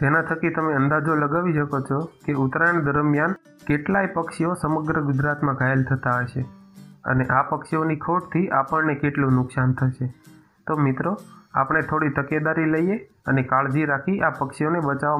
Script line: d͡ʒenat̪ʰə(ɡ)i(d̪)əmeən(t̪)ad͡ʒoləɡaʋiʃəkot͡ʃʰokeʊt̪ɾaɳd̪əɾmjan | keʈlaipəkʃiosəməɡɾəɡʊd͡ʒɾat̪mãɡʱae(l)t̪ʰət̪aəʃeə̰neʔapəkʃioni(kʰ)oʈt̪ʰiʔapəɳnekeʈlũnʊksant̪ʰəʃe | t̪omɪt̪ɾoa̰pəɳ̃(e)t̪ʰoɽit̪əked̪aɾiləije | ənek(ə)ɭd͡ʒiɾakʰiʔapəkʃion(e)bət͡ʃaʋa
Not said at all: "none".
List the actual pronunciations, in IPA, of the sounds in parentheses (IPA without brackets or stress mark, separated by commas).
k, t̪, d̪, l, kʰ, e, a, e